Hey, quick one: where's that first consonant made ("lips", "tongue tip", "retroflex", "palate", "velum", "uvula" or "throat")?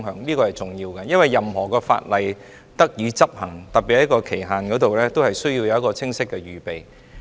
velum